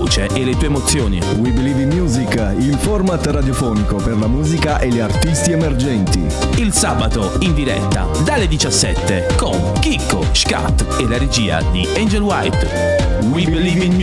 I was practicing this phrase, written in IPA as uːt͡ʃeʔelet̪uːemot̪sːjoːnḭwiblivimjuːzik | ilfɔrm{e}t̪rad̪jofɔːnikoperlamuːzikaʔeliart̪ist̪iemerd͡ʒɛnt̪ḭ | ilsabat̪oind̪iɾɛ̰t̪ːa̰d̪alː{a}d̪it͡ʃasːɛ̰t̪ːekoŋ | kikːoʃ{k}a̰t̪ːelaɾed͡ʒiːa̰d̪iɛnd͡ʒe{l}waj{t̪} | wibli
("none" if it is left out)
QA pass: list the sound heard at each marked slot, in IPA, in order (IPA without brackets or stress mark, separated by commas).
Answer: a, e, k, l, t̪